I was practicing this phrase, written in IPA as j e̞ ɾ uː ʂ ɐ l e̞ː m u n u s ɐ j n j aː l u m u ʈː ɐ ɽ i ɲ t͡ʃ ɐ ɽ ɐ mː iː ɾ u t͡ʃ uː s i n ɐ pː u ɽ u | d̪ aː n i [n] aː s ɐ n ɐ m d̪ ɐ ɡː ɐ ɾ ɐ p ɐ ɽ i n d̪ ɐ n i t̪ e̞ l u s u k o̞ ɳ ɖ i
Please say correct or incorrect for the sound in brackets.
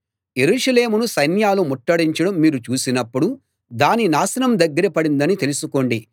correct